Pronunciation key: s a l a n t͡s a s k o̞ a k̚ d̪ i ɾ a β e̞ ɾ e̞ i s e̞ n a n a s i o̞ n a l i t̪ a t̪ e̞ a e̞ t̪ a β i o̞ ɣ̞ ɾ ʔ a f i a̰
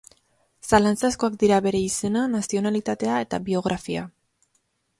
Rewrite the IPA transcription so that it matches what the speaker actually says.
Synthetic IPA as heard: s a l a n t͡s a s k o̞ a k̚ d̪ i ɾ a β e̞ ɾ e̞ i s e̞ n a n a s i o̞ n a l i t̪ a t̪ e̞ a e̞ t̪ a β i o̞ ɣ̞ ɾ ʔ a f i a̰